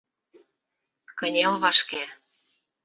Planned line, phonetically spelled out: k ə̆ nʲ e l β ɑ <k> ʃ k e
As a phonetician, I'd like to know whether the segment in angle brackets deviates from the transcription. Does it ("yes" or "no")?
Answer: yes